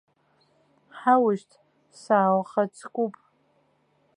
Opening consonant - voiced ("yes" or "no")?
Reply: no